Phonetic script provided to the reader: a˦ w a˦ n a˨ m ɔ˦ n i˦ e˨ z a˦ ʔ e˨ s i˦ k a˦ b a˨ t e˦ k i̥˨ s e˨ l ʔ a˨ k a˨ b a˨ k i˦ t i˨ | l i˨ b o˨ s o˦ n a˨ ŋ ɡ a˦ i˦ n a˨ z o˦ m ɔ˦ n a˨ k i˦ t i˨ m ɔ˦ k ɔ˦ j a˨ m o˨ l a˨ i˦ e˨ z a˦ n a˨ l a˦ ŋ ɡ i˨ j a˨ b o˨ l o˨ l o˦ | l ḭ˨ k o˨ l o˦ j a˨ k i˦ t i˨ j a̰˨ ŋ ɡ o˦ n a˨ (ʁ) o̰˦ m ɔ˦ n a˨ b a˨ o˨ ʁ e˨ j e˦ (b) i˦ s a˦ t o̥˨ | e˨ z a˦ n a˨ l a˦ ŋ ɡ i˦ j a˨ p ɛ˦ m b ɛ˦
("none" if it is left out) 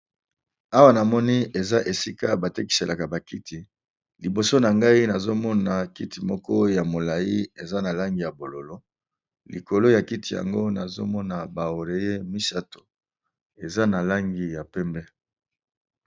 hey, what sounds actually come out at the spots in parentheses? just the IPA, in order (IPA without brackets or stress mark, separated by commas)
z, m